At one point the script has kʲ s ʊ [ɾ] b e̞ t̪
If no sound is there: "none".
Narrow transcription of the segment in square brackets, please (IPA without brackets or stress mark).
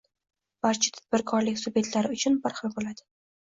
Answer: none